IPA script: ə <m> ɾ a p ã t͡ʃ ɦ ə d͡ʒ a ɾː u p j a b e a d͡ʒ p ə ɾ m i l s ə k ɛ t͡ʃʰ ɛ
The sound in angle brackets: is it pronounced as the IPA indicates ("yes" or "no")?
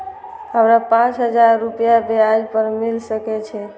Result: yes